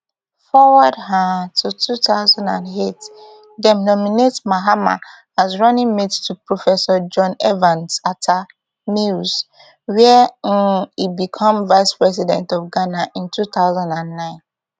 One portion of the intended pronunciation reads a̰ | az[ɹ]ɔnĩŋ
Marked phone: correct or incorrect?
correct